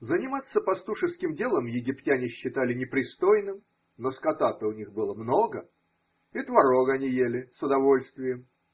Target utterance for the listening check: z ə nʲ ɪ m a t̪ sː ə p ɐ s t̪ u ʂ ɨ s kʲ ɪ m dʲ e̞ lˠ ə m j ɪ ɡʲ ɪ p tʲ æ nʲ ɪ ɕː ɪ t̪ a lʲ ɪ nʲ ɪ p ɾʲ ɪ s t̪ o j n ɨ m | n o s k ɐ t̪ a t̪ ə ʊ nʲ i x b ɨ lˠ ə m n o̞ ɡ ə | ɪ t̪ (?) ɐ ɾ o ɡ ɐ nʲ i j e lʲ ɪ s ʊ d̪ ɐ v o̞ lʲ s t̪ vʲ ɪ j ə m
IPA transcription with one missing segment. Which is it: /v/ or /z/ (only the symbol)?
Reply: v